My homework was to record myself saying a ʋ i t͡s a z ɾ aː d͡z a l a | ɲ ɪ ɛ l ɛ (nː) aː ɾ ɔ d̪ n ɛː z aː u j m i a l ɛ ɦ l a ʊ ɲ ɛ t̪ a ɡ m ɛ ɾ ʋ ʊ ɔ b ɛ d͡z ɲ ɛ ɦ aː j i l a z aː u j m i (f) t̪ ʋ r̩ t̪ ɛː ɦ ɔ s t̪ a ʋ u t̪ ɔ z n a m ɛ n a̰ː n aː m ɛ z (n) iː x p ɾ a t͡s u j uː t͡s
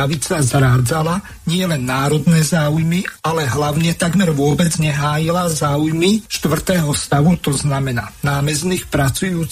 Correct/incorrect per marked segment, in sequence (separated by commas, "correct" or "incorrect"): correct, incorrect, correct